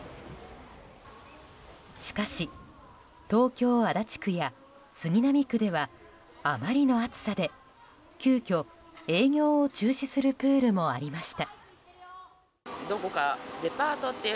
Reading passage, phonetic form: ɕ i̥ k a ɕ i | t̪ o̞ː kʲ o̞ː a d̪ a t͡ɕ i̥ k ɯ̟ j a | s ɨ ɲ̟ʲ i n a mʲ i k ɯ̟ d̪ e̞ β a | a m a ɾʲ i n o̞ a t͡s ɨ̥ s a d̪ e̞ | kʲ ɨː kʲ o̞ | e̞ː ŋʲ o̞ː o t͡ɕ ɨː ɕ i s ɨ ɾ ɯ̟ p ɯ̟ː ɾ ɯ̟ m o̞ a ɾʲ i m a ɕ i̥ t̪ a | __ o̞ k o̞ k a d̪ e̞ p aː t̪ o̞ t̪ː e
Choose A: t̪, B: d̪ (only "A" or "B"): B